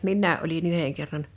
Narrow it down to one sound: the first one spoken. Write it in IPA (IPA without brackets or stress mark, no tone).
m